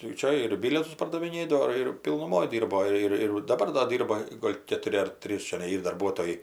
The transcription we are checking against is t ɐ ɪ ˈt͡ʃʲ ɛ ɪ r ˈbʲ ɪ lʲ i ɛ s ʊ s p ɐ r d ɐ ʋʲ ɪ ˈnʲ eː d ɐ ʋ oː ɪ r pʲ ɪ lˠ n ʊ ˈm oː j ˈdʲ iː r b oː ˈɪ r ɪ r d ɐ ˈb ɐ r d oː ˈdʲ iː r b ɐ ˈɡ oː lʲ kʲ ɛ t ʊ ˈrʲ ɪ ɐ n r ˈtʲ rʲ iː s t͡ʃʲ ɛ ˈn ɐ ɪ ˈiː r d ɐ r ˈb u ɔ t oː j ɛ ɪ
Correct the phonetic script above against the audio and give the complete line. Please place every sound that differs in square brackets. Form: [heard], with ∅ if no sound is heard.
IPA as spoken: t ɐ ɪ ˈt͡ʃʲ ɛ ɪ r ˈbʲ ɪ lʲ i ɛ [t] ʊ s p ɐ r d ɐ ʋʲ ɪ ˈnʲ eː d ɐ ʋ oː ɪ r pʲ ɪ lˠ n ʊ ˈm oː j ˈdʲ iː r b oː ˈɪ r ɪ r d ɐ ˈb ɐ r d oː ˈdʲ iː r b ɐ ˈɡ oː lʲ kʲ ɛ t ʊ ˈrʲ ɪ ɐ [∅] r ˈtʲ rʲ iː s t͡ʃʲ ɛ ˈn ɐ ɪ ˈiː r d ɐ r ˈb u ɔ t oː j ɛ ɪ